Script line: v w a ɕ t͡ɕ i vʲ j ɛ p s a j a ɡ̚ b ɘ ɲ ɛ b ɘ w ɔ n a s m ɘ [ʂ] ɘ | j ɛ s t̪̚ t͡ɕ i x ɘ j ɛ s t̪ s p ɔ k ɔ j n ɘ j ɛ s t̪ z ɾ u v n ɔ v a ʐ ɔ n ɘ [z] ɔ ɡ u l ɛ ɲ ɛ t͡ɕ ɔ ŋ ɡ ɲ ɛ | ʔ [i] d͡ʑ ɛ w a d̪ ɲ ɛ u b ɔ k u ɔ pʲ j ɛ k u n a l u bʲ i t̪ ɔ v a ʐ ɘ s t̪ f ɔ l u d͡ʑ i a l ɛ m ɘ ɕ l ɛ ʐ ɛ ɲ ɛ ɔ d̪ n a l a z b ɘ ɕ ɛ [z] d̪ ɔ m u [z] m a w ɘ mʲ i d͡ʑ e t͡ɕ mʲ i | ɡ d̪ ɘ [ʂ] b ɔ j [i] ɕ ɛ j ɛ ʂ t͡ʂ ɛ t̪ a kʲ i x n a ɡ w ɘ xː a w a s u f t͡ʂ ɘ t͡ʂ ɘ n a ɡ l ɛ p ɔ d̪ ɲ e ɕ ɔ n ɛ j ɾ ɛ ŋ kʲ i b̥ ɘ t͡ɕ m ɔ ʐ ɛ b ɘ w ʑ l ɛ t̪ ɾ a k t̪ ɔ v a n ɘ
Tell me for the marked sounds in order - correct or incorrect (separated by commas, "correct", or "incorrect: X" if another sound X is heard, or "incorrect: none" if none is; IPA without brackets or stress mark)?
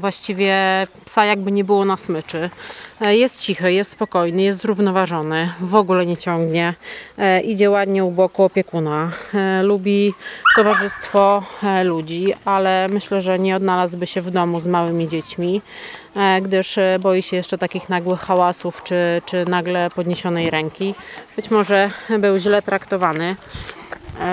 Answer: incorrect: t͡ʂ, incorrect: v, correct, incorrect: v, correct, correct, correct